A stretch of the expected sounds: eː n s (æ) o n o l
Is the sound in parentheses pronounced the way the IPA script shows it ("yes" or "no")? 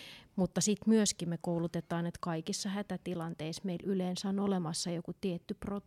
yes